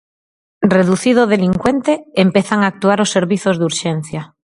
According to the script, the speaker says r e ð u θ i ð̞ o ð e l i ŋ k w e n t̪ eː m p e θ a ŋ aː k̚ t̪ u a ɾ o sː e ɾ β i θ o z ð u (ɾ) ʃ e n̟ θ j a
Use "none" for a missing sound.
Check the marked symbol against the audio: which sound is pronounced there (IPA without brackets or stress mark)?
ɾ